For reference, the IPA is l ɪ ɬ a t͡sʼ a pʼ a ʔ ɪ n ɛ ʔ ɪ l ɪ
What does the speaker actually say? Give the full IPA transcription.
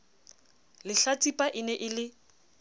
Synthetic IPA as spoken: l ɪ ɬ a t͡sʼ i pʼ a ʔ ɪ n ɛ ʔ ɪ l ɪ